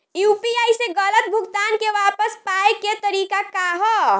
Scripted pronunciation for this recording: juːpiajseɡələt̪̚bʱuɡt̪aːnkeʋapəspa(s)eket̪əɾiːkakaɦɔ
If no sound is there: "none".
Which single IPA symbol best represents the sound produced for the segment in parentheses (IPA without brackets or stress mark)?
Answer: none